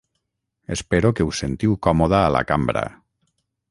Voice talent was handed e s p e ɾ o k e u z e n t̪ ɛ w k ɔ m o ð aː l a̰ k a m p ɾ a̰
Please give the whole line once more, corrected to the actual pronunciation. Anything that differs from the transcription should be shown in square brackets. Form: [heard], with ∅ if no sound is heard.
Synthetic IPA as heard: e s p e ɾ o k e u [s] e n t̪ [i] w k ɔ m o ð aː l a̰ k a m [b] ɾ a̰